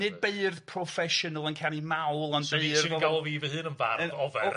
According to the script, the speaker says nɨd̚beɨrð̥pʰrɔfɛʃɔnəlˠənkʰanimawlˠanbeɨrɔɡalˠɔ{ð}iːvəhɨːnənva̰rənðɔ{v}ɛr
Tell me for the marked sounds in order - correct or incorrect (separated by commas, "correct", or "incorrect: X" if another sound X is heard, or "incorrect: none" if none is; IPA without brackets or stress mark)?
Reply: incorrect: v, correct